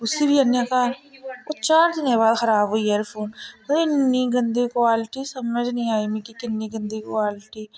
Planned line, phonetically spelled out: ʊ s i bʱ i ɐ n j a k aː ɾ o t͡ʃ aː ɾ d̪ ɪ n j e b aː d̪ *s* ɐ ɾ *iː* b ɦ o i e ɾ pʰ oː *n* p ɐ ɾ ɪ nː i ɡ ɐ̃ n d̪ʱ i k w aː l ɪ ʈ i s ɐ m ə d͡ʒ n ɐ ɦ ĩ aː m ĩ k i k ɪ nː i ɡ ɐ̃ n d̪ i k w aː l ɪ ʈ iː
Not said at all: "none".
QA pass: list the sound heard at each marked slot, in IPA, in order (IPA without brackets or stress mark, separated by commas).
x, aː, n